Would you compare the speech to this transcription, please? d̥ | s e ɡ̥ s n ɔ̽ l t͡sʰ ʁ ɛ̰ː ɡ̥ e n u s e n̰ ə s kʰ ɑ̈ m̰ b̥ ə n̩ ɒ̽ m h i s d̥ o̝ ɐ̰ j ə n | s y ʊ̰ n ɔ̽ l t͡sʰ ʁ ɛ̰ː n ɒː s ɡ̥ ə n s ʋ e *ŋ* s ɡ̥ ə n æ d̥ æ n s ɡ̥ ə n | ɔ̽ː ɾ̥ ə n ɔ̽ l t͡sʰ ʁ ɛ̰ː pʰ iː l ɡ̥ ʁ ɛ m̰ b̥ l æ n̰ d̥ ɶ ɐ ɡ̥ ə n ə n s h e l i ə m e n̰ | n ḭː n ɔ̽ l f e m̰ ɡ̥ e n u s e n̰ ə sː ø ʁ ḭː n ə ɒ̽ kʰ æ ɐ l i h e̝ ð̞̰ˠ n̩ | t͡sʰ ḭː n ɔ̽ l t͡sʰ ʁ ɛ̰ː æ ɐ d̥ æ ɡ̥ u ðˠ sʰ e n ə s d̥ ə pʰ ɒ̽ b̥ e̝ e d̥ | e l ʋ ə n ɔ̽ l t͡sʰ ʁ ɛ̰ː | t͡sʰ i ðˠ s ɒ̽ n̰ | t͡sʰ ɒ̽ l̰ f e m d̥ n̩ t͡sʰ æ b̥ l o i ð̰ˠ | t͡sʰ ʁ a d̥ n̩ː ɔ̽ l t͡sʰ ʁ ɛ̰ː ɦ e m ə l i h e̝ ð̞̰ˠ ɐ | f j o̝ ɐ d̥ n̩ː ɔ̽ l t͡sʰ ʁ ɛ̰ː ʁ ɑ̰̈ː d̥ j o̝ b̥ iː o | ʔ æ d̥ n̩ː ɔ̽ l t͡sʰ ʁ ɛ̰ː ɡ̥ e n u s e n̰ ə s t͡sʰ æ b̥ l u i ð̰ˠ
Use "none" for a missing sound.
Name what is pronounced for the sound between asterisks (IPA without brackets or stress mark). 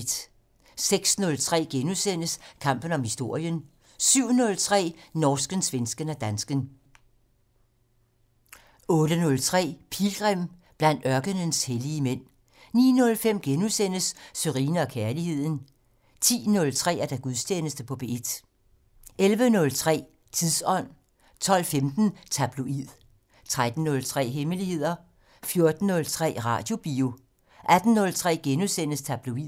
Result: n